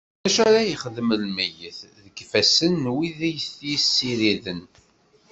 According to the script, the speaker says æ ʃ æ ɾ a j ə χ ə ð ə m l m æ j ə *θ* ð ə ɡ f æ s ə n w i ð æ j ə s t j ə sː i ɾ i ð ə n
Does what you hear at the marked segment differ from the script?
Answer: no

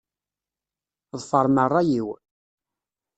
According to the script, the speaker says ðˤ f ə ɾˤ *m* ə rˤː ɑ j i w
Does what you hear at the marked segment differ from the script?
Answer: no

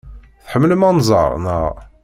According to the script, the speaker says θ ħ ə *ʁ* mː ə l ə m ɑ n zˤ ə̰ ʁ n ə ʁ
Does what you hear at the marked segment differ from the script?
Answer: yes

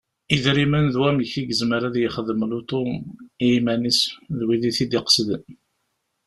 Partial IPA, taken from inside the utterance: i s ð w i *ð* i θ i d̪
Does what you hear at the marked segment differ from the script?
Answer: no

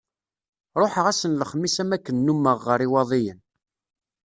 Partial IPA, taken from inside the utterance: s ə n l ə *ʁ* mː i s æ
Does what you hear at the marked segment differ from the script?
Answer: yes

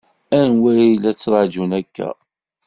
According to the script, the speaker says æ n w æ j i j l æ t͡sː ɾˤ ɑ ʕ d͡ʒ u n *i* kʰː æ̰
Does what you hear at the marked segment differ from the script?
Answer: yes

